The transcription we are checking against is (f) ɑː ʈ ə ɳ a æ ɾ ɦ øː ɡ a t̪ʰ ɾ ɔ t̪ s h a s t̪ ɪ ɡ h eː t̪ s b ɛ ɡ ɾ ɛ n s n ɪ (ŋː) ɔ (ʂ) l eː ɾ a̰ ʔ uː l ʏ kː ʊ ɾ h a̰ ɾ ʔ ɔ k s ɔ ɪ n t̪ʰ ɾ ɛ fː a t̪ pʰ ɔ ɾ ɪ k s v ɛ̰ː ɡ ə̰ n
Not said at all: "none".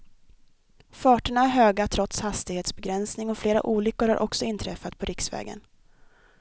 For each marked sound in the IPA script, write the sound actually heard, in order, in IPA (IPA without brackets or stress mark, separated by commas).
f, ŋ, f